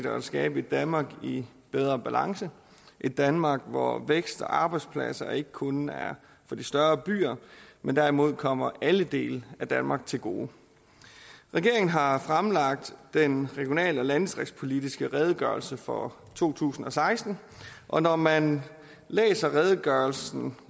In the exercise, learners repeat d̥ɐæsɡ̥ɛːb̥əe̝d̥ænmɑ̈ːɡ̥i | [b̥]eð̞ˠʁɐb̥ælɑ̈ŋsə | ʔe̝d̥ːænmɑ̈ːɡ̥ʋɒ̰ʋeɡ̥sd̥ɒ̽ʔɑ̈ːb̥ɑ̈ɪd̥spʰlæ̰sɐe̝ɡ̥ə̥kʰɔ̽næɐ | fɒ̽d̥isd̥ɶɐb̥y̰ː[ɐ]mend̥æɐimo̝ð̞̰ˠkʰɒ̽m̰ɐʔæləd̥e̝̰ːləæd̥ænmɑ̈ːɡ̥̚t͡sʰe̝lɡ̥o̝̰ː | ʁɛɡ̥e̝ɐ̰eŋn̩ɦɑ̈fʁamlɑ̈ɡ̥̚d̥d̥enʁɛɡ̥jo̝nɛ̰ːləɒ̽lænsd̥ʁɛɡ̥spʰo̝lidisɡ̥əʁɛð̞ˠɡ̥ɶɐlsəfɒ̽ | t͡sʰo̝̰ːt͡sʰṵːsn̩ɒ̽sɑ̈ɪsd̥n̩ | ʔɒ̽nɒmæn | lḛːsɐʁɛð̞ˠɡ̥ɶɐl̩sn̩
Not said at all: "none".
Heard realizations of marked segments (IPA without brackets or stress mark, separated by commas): b̥, ɐ